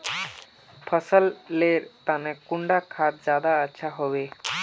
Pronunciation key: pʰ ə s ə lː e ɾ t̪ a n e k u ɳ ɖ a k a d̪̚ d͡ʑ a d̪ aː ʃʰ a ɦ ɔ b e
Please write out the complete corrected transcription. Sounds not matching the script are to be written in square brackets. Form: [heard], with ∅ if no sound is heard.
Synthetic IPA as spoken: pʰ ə s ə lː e ɾ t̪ a n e k u ɳ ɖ a [kʰ] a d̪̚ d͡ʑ a d̪ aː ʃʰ a ɦ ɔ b e